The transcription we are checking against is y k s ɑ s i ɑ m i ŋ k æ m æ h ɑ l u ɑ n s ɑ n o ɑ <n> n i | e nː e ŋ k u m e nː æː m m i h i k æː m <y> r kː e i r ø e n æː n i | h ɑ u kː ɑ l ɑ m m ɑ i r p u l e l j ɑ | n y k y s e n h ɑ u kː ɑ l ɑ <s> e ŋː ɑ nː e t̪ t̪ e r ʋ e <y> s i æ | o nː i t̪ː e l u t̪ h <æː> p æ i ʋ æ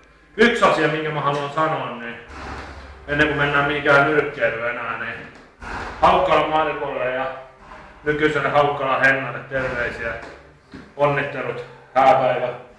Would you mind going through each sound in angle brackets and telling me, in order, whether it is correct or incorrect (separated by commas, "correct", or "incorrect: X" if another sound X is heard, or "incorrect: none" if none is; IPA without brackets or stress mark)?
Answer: correct, correct, incorrect: h, incorrect: i, correct